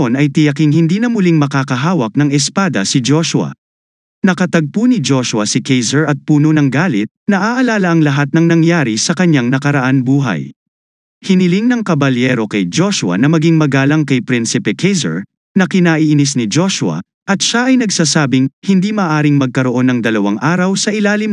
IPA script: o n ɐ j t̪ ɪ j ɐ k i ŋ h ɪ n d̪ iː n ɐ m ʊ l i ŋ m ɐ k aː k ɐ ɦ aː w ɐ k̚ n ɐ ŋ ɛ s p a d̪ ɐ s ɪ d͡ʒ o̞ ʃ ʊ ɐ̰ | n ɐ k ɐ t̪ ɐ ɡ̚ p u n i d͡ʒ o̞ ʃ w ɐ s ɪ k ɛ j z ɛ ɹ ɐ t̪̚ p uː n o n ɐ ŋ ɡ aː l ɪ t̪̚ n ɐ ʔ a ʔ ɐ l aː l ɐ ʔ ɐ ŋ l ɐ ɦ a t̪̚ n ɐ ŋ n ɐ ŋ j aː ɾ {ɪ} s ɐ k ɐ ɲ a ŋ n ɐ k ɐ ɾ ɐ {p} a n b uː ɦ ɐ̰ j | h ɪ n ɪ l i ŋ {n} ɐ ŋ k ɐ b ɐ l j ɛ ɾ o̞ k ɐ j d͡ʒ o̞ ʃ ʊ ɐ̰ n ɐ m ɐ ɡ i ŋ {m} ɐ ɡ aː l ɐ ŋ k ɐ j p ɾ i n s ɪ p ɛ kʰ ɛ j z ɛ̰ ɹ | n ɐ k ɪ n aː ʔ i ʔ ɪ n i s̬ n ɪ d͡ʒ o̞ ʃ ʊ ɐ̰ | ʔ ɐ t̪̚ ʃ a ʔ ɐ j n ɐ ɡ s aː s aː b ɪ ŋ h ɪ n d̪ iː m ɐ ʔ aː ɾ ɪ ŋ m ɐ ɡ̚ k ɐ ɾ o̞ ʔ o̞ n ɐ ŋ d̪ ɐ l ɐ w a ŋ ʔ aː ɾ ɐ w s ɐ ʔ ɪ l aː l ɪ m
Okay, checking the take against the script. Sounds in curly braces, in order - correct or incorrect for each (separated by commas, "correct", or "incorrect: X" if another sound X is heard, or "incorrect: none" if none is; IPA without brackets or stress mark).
incorrect: i, incorrect: ʔ, correct, correct